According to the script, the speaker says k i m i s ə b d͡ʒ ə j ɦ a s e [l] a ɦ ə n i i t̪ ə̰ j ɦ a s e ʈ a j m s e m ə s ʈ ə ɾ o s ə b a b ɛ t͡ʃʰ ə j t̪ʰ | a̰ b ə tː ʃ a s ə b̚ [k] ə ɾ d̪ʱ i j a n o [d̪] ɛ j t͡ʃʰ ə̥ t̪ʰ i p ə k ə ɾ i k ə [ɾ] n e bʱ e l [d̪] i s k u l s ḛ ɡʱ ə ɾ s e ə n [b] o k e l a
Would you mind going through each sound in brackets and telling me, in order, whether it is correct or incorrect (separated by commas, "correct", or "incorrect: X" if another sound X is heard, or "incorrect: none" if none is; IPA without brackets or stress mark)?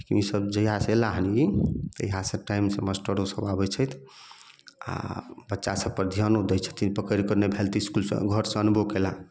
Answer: correct, incorrect: p, correct, correct, incorrect: t̪, correct